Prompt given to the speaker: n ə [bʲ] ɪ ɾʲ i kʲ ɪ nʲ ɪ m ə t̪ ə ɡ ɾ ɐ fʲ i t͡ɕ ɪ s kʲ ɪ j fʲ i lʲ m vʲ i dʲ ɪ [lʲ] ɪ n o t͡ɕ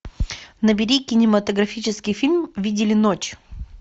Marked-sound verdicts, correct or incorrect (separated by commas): correct, correct